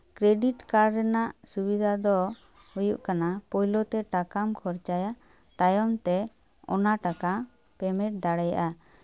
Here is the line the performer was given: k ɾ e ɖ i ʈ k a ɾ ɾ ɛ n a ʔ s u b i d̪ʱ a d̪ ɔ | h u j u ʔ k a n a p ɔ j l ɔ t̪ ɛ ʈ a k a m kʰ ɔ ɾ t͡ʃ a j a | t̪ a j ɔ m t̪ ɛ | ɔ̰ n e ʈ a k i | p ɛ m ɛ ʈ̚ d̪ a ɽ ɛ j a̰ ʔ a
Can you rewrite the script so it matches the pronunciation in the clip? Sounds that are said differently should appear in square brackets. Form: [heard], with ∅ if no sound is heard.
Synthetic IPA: k ɾ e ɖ i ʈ k a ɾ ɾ ɛ n a ʔ s u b i d̪ʱ a d̪ ɔ | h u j u ʔ k a n a p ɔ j l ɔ t̪ ɛ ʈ a k a m kʰ ɔ ɾ t͡ʃ a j a | t̪ a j ɔ m t̪ ɛ | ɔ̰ n [a] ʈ a k [a] | p ɛ m ɛ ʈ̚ d̪ a ɽ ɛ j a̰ ʔ a